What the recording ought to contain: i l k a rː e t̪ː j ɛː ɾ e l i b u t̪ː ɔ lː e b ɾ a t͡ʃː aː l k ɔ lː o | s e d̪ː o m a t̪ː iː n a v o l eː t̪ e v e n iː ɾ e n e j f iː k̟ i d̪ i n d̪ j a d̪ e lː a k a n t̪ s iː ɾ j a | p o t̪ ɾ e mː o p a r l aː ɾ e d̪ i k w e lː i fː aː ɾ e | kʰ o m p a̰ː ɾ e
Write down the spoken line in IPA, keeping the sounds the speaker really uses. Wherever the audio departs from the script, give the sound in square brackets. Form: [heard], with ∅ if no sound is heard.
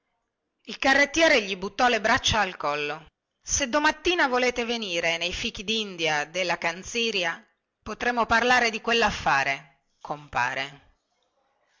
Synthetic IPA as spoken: i l k a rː e t̪ː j ɛː ɾ e [ʎ] i b u t̪ː ɔ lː e b ɾ a t͡ʃː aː l k ɔ lː o | s e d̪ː o m a t̪ː iː n a v o l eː t̪ e v e n iː ɾ e n e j f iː k̟ i d̪ i n d̪ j a d̪ e lː a k a n t̪ s iː ɾ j a | p o t̪ ɾ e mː o p a r l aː ɾ e d̪ i k w e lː [a] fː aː ɾ e | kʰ o m p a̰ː ɾ e